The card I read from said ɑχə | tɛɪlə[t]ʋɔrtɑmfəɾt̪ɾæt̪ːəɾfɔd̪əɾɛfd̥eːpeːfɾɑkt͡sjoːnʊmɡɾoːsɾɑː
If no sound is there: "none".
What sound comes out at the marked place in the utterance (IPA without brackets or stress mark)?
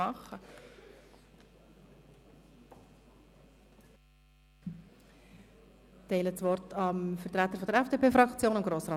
t͡s